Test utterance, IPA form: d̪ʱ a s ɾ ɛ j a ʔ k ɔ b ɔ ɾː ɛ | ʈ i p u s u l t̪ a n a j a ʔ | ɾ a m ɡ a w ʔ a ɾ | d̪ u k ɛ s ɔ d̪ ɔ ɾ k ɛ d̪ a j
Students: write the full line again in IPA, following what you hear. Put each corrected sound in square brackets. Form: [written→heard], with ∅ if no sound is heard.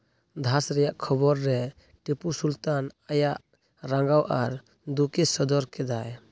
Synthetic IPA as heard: d̪ʱ a s ɾ ɛ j a ʔ [k→kʰ] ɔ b ɔ ɾː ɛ | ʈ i p u s u l t̪ a n a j a ʔ | ɾ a [m→ŋ] ɡ a w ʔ a ɾ | d̪ u k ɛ s ɔ d̪ ɔ ɾ k ɛ d̪ a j